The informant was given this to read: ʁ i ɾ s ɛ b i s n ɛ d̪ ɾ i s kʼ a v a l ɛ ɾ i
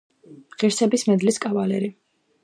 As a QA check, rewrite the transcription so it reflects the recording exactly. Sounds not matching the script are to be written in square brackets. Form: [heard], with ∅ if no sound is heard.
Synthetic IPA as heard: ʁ i ɾ s ɛ b i s [m] ɛ d̪ [l] i s kʼ a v a l ɛ ɾ i